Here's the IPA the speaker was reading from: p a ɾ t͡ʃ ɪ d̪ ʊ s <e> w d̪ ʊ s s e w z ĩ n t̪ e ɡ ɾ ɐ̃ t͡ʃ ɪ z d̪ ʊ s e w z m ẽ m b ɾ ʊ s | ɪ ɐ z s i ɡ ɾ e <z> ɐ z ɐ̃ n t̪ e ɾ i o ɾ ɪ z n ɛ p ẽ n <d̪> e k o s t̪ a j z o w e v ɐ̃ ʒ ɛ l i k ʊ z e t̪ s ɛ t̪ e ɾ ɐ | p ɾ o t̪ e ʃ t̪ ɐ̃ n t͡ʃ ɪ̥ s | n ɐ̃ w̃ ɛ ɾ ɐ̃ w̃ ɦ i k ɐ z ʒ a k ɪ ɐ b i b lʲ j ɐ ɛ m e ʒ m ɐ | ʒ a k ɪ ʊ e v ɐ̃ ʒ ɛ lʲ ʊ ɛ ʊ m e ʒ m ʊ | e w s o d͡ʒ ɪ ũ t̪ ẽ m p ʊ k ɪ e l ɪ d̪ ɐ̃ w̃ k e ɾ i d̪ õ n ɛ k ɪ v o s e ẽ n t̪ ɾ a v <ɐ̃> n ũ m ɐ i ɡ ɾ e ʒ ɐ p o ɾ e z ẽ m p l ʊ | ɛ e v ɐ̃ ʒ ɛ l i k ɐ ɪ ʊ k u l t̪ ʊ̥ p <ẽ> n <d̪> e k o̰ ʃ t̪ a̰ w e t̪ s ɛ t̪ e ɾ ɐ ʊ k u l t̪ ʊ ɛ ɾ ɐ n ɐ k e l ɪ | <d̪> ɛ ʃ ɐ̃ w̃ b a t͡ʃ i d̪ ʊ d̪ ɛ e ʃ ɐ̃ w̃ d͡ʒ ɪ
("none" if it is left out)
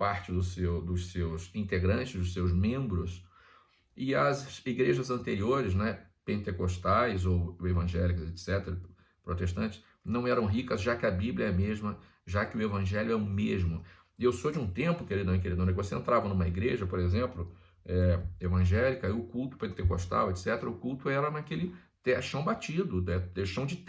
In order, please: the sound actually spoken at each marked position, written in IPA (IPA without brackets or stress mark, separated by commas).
e, ʒ, t̪, ɐ, ẽ, t̪, t̪